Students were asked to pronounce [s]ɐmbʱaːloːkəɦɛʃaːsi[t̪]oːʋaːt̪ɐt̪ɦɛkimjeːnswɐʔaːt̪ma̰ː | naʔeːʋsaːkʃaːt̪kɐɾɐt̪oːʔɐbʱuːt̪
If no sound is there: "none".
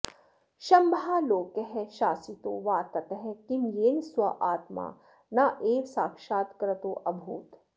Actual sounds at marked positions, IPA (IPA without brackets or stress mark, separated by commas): ʃ, t̪